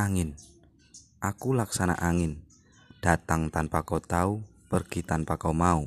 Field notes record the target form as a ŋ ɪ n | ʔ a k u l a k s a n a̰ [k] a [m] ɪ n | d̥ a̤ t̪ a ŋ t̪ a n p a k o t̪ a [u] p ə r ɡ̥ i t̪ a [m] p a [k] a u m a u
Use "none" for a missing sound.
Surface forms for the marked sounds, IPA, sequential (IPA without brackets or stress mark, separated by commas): ʔ, ŋ, u, n, k